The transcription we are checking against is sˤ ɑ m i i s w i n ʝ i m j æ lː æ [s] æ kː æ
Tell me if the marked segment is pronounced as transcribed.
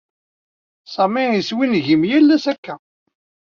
yes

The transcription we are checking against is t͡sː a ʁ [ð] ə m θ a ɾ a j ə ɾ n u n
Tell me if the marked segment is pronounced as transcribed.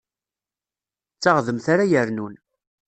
yes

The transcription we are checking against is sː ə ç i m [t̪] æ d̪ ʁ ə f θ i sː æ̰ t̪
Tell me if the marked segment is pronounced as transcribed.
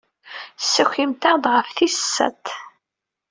yes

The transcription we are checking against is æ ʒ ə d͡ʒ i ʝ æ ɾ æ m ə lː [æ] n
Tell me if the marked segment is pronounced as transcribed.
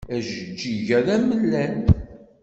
yes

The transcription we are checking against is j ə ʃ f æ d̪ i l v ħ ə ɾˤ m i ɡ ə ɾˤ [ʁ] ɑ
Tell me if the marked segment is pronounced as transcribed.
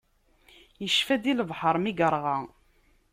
yes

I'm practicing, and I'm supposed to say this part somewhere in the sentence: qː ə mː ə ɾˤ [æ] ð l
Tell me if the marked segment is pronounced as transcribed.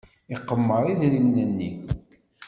no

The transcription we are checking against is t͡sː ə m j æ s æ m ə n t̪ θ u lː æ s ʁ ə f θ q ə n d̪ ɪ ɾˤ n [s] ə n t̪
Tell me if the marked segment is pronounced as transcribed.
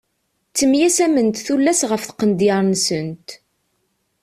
yes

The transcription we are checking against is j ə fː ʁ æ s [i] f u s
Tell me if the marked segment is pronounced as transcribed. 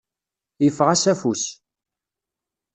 no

